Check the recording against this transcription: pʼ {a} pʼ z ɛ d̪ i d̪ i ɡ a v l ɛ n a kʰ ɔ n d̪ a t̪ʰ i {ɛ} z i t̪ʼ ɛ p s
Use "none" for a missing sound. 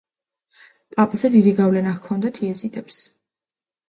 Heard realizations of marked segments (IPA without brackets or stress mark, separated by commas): a, ɛ